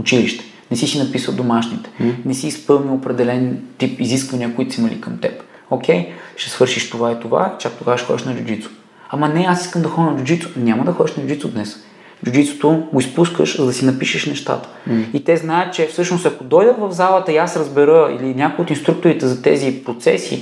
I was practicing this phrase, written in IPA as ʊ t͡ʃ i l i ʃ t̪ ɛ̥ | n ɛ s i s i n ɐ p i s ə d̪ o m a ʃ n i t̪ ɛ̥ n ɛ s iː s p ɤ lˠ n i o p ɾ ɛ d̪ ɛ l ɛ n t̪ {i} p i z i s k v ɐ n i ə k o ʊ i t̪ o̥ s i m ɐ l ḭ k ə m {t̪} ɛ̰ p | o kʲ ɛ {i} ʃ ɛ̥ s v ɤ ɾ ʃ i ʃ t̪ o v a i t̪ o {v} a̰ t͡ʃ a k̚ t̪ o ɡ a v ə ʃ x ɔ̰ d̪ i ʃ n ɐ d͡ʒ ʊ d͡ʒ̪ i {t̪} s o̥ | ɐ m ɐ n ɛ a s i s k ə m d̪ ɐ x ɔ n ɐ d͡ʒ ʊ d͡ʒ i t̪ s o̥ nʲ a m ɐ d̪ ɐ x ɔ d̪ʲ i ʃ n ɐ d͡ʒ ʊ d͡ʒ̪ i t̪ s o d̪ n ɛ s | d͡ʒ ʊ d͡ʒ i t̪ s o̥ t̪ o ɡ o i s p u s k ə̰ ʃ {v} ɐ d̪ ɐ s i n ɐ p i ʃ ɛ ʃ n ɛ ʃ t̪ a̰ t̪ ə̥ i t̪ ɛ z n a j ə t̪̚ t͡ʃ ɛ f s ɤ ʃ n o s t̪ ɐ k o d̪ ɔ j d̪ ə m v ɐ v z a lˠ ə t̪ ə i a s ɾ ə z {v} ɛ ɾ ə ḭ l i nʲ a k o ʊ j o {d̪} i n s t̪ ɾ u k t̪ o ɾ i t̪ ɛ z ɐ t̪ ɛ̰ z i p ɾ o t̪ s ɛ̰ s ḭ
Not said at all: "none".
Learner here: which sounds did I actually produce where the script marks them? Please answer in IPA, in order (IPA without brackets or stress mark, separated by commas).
i, t̪, j, v, t̪, z, b, t̪